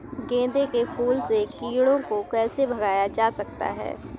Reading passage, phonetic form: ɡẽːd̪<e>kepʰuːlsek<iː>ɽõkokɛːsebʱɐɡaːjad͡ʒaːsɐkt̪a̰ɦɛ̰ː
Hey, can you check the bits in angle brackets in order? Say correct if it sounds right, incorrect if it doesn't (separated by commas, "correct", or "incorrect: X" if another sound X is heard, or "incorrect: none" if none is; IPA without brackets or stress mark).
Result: correct, correct